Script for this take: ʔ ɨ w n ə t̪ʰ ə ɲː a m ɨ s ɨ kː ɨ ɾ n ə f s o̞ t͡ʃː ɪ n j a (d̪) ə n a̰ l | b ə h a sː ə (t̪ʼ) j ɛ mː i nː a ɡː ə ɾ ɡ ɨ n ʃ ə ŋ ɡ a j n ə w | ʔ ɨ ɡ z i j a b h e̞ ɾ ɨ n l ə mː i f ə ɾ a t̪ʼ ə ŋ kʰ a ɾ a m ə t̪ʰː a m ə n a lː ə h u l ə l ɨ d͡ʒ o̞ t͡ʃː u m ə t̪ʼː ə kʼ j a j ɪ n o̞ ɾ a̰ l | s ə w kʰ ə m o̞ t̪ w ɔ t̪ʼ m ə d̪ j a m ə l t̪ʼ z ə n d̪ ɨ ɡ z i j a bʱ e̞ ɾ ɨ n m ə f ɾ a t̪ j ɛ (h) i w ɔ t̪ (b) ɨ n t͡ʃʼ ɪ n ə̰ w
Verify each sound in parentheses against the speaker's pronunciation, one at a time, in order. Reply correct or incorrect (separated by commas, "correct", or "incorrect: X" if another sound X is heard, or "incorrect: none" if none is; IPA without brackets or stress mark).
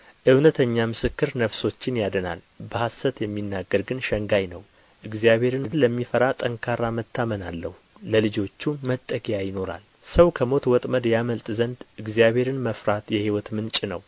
correct, incorrect: t̪, correct, incorrect: m